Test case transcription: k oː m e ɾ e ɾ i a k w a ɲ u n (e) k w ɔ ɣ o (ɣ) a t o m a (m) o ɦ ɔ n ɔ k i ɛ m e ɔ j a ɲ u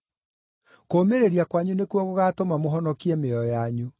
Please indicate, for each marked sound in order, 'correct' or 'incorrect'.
correct, correct, correct

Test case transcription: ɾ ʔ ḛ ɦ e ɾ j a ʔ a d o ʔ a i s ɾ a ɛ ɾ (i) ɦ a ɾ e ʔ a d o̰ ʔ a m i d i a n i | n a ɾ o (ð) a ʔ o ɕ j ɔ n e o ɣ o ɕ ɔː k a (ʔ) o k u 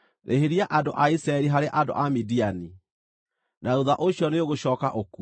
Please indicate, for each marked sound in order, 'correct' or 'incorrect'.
correct, correct, correct

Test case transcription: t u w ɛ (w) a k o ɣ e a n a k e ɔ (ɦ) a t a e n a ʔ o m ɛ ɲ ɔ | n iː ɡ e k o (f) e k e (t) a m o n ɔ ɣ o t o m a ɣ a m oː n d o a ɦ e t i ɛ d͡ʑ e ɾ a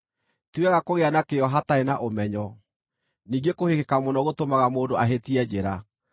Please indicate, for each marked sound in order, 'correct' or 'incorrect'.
incorrect, correct, incorrect, incorrect

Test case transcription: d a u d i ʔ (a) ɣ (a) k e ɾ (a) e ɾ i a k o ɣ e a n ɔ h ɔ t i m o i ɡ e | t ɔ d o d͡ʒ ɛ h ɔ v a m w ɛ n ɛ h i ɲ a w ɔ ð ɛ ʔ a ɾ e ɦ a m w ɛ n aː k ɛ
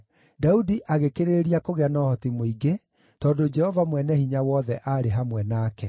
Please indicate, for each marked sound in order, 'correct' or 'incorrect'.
correct, incorrect, incorrect

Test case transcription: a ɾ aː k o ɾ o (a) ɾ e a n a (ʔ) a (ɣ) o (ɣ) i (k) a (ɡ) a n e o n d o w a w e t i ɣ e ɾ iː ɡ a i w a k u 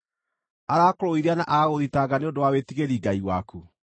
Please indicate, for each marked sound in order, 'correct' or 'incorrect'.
incorrect, correct, correct, incorrect, incorrect, correct

